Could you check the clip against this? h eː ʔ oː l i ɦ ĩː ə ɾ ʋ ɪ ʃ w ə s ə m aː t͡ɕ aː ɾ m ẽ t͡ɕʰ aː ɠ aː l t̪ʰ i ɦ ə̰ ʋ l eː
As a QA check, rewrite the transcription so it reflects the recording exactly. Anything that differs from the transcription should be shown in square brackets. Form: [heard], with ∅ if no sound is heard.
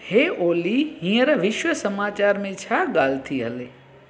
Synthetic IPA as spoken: h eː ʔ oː l i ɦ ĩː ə ɾ ʋ ɪ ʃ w ə s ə m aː t͡ɕ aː ɾ m ẽ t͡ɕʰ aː ɠ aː l t̪ʰ i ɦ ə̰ [∅] l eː